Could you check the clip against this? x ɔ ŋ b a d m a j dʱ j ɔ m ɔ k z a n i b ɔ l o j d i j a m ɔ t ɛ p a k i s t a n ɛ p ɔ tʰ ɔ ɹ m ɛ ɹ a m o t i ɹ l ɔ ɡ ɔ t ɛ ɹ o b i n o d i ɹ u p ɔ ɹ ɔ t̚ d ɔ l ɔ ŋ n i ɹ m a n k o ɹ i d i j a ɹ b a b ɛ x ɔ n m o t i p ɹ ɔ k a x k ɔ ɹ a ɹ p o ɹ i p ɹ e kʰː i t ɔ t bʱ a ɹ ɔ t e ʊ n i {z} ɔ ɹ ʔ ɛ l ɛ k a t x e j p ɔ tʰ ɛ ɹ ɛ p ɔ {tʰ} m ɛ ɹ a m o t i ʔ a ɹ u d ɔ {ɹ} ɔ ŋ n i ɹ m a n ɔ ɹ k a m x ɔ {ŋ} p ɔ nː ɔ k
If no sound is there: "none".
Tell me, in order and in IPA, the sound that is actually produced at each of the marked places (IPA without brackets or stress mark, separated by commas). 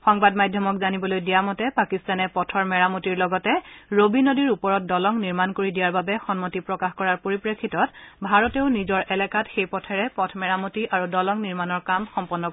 z, tʰ, l, m